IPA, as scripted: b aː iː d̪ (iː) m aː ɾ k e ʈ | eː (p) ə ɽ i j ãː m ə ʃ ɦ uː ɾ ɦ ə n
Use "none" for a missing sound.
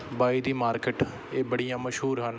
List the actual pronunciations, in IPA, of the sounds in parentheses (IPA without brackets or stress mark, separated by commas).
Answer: iː, b